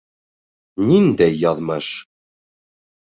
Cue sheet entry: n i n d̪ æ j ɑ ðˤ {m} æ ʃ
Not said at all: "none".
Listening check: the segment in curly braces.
m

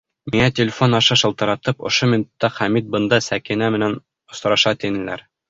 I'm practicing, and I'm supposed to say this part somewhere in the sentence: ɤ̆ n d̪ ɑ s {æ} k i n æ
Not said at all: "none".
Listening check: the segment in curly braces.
æ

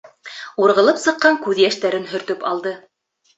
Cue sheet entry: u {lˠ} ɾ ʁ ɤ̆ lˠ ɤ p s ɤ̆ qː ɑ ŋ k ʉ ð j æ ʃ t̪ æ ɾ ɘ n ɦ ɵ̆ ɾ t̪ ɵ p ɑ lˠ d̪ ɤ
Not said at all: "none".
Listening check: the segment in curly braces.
none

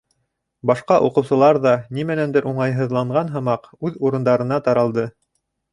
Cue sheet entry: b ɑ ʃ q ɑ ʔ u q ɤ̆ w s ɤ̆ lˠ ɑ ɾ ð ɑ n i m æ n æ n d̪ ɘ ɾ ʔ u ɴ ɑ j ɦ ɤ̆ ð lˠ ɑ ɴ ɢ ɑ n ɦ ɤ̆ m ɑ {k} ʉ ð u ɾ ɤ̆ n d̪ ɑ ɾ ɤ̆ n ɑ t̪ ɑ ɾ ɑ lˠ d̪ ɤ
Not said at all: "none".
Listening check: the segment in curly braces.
q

